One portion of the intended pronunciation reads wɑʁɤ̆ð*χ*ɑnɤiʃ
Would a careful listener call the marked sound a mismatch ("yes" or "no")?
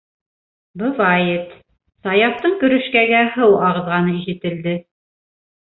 yes